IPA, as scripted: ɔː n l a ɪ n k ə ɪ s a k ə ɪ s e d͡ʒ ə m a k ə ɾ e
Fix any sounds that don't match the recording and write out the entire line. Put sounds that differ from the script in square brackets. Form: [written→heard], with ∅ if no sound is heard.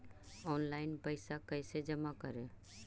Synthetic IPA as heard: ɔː n l a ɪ n [k→p] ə ɪ s a k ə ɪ s e d͡ʒ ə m a k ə ɾ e